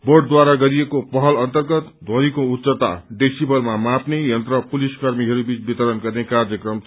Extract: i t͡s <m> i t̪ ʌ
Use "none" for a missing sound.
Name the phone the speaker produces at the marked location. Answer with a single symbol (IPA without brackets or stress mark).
b